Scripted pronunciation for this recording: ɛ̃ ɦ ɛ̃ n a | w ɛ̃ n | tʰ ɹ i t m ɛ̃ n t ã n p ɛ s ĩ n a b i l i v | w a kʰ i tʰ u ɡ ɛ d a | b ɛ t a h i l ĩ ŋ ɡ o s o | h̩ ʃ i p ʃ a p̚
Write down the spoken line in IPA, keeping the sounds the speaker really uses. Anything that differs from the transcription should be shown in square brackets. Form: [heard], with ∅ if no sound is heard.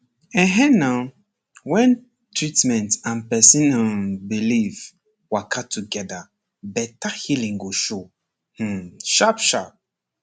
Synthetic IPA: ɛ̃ ɦ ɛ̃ n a | w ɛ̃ n | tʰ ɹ i t m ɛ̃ n t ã n p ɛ s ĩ n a b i l i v | w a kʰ [a] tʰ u ɡ ɛ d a | b ɛ t a h i l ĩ ŋ ɡ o [ʃ] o | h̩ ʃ [a] p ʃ a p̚